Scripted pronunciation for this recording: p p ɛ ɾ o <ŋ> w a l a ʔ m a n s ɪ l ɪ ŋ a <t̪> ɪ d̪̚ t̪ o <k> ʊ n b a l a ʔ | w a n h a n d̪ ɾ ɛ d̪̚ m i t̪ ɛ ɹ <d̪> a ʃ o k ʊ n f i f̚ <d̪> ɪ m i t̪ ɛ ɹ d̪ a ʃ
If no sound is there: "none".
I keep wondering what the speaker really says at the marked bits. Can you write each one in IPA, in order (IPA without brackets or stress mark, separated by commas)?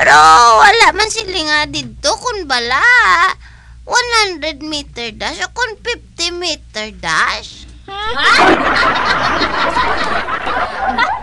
none, d̪, k, d̪, t̪